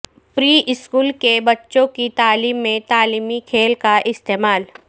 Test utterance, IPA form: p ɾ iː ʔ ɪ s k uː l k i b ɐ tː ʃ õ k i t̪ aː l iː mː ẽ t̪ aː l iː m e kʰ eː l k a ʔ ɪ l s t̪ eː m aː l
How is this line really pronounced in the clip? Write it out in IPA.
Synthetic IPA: p ɾ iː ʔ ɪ s k uː l k e b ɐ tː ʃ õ k i t̪ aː l iː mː ẽ t̪ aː l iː m i kʰ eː l k a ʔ ɪ s t̪ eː m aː l